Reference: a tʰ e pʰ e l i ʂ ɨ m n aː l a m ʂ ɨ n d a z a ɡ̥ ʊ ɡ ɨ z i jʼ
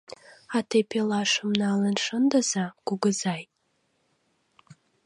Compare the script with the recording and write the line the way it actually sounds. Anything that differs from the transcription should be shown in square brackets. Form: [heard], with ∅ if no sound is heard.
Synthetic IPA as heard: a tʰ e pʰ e l [a] ʂ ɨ m n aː l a [n] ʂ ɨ n d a z a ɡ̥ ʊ ɡ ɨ z [a] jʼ